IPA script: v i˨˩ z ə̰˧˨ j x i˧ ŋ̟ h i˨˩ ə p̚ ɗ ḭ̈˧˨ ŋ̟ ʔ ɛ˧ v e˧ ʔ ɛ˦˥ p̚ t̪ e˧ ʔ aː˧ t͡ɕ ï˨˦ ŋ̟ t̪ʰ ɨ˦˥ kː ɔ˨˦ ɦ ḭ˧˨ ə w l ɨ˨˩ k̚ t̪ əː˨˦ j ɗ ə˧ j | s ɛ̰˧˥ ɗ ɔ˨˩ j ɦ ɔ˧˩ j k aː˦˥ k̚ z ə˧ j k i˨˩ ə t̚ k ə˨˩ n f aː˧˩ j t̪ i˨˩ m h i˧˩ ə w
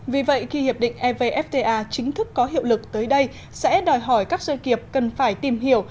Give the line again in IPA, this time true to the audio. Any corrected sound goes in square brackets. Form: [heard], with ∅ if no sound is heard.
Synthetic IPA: v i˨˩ [v] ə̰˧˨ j x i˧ [∅] h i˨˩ ə p̚ ɗ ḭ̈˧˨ ŋ̟ ʔ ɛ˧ v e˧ ʔ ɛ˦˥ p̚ t̪ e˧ ʔ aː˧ t͡ɕ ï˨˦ ŋ̟ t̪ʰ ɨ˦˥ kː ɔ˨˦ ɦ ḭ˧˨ ə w l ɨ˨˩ k̚ t̪ əː˨˦ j ɗ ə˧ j | s ɛ̰˧˥ ɗ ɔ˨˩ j ɦ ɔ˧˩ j k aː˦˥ k̚ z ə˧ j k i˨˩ ə [p̚] k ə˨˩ n f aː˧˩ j t̪ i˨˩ m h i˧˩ ə w